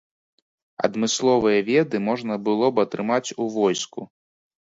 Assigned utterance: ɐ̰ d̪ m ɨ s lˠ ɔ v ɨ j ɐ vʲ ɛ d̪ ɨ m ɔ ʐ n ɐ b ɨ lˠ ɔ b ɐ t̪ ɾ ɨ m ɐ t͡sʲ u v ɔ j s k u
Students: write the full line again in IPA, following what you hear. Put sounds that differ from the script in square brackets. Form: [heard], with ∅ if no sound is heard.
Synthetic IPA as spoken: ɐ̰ d̪ m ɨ s lˠ ɔ v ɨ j ɐ vʲ ɛ d̪ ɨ m ɔ ʐ n ɐ b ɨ lˠ ɔ b ɐ t̪ ɾ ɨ m [a] t͡sʲ u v ɔ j s k u